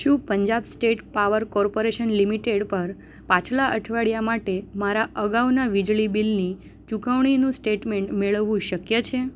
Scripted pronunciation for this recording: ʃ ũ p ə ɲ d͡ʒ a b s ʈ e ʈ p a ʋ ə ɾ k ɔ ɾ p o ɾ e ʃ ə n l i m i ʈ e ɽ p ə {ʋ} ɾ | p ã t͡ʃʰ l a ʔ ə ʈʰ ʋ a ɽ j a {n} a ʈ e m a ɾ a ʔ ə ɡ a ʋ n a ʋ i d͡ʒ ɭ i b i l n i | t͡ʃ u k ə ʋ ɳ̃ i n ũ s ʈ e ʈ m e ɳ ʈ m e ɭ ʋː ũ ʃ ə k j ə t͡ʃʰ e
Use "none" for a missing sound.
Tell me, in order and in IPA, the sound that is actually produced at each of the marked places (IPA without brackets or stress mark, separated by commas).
none, m